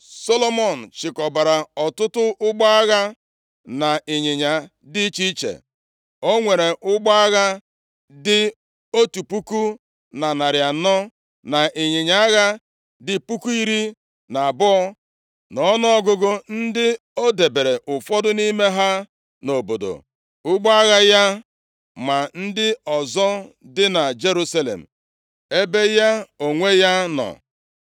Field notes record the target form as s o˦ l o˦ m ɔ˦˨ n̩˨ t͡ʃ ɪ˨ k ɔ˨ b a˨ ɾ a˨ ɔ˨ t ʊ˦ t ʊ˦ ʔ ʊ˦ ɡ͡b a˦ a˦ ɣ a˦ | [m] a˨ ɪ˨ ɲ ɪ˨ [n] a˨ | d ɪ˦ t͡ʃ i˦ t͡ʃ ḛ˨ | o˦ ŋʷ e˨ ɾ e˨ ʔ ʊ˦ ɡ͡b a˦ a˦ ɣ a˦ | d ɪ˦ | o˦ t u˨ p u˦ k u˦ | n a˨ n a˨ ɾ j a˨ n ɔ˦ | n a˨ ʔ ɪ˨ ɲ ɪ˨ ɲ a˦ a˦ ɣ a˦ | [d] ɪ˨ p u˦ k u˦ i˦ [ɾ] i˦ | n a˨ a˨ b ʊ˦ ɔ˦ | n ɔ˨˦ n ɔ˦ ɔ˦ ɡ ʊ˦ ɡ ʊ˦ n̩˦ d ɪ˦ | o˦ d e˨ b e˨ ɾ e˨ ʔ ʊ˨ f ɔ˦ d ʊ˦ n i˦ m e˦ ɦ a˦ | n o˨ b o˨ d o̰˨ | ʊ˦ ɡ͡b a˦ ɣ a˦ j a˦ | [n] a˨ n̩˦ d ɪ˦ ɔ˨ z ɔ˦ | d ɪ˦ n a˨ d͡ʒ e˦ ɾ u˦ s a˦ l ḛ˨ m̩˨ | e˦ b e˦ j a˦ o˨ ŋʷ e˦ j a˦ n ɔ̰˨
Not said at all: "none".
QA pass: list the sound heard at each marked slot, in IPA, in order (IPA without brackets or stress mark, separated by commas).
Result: n, ɲ, d, ɾ, m